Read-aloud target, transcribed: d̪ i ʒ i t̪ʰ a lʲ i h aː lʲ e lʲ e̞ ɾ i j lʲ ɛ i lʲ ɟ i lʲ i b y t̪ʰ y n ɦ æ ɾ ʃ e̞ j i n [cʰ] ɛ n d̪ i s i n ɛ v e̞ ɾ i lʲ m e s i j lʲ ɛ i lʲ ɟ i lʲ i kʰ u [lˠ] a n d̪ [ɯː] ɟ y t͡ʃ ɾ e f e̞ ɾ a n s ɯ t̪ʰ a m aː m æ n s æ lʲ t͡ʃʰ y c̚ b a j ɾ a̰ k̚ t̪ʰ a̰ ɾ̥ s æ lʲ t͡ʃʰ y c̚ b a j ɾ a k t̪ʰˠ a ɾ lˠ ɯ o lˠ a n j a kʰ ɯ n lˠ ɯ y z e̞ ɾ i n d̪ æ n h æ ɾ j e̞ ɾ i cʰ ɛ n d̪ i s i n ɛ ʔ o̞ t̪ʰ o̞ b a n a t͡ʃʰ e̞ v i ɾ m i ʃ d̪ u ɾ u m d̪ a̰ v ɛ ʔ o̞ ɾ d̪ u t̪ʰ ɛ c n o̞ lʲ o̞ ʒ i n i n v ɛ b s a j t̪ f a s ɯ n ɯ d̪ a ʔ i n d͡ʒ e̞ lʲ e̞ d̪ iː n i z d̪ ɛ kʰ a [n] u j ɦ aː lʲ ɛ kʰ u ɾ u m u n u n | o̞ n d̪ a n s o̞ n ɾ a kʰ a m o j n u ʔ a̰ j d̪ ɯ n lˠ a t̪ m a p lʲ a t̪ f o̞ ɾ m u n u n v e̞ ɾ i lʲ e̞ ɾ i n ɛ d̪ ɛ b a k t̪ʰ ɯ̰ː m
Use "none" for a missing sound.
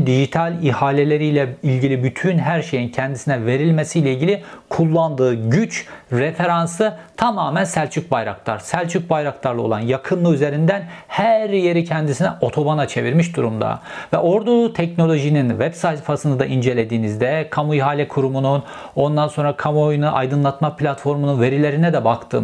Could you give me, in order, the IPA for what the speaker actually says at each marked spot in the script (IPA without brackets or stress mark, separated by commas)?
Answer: cʰ, lˠː, ɯː, m